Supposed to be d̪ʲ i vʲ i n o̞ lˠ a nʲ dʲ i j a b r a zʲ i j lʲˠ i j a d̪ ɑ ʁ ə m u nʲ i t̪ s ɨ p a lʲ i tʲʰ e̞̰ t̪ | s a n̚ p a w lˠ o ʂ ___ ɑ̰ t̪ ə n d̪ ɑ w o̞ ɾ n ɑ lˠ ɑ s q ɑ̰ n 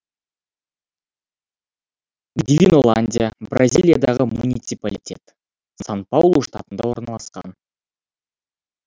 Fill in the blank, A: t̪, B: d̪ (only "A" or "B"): A